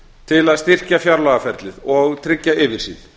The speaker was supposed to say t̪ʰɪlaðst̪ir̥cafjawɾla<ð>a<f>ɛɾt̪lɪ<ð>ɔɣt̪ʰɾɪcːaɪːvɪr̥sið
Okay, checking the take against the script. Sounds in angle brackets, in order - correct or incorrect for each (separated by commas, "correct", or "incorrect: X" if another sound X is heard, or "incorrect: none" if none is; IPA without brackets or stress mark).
incorrect: ɣ, correct, correct